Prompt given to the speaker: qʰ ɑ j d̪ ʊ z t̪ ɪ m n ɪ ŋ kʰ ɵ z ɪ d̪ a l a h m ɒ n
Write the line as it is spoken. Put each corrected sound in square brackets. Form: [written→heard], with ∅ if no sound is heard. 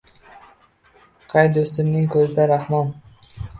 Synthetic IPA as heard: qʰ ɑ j d̪ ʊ [z→s] t̪ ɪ m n ɪ ŋ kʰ ɵ z ɪ d̪ a [l→ɾ] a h m ɒ n